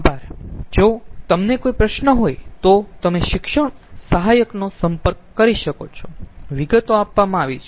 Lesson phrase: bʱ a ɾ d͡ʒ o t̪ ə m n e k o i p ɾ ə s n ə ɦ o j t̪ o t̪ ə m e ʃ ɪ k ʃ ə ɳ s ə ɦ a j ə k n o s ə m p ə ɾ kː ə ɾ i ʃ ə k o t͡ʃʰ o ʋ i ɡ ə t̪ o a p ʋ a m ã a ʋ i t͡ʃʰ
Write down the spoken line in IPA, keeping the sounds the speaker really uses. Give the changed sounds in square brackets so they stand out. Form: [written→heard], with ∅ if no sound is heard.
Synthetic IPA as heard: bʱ a ɾ d͡ʒ o t̪ ə m n e k o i p ɾ ə [s→ʃ] n ə ɦ o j t̪ o t̪ ə m e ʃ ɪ k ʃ ə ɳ s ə ɦ a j ə k n o s ə m p ə ɾ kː ə ɾ i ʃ ə k o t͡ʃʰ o ʋ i ɡ ə t̪ o a p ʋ a m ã a ʋ i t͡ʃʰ